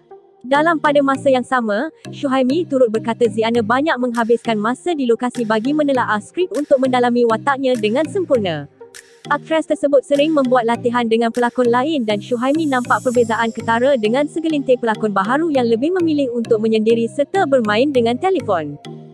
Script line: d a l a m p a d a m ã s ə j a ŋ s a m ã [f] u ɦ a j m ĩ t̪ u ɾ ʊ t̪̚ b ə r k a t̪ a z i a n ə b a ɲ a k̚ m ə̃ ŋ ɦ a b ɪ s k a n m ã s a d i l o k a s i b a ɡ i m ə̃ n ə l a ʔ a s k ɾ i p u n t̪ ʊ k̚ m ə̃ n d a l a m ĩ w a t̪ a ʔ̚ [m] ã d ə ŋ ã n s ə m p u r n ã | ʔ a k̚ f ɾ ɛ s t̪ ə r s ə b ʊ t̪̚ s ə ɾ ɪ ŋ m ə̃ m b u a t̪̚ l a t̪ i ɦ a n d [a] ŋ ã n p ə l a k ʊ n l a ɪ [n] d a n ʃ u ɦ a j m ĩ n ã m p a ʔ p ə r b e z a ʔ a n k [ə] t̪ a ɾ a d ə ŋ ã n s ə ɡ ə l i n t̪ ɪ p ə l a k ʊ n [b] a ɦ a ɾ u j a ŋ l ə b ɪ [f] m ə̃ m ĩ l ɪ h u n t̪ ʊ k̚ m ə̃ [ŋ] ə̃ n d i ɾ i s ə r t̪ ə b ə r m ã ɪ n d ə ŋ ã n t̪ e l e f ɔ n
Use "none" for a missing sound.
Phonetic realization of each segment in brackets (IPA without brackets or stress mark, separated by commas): ʃ, ɲ, ə, n, ə, b, h, ɲ